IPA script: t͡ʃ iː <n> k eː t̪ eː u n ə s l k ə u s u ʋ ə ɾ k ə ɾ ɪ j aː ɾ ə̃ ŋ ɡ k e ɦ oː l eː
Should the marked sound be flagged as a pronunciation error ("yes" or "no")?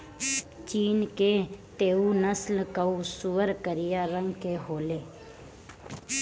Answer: no